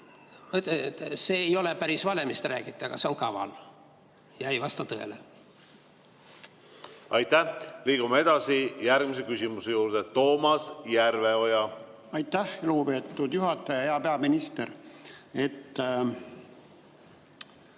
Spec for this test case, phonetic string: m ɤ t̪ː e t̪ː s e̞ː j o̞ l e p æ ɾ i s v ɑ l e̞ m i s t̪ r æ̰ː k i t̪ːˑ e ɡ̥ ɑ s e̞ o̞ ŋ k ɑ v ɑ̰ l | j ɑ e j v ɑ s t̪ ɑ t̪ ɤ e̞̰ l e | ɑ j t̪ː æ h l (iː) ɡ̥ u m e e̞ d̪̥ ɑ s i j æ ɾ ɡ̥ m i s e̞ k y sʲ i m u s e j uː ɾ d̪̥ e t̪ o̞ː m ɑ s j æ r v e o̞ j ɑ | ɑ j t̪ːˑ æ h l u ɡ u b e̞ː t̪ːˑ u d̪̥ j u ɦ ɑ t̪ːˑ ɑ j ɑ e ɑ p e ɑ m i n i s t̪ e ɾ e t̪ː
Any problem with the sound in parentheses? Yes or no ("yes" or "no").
no